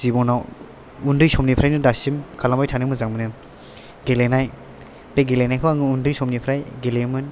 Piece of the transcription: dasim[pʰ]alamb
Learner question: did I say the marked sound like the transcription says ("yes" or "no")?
no